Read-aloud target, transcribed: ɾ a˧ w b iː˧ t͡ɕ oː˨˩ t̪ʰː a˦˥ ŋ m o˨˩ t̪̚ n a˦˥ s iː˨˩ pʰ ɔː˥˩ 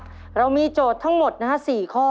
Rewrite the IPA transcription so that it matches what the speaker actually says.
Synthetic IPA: ɾ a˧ w m iː˧ t͡ɕ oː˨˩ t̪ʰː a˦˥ ŋ m o˨˩ t̪̚ n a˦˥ s iː˨˩ kʰ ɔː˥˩